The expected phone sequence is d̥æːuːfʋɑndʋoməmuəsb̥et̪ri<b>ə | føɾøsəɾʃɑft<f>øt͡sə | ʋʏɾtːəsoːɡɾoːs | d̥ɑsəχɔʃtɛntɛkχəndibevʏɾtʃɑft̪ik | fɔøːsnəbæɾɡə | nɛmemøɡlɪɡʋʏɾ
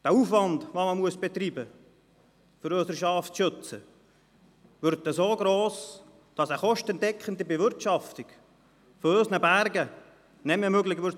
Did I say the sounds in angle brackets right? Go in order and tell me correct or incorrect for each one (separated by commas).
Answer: correct, incorrect